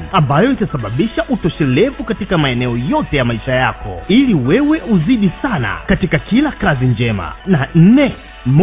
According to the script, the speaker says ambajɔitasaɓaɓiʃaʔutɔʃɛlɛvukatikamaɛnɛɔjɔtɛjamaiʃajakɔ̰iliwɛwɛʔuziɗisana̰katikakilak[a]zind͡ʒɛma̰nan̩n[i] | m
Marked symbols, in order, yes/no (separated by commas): yes, no